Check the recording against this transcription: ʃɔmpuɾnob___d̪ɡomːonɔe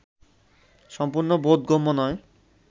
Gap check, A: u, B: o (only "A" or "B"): B